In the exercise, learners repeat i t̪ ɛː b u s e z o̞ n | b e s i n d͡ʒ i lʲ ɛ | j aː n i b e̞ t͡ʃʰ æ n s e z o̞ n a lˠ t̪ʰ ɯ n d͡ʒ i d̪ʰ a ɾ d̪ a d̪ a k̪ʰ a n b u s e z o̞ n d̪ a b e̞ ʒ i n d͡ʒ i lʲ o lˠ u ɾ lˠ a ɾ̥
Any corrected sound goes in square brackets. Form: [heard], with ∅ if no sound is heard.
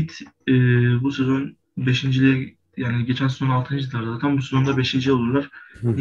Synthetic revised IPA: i t̪ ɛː b u s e z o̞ n | b e [ʃ] i n d͡ʒ i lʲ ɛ | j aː n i [ɟ] e̞ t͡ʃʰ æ n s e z o̞ n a lˠ t̪ʰ ɯ n d͡ʒ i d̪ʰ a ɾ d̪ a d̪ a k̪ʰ a n b u s e z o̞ n d̪ a b e̞ [ʃ] i n d͡ʒ i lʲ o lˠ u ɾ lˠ a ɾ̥